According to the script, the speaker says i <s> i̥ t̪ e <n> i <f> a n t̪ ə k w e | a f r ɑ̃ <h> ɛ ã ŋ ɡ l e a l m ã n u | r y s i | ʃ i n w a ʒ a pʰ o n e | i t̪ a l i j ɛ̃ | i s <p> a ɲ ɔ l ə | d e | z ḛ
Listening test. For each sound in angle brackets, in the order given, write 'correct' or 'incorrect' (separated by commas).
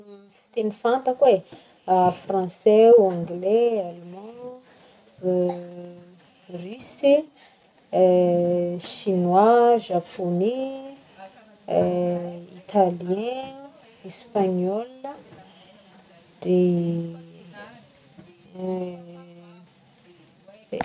incorrect, correct, correct, incorrect, correct